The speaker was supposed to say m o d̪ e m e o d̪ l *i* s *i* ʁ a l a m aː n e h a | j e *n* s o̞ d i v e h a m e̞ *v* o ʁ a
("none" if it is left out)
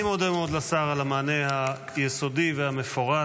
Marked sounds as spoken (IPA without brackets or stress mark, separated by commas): a, a, none, f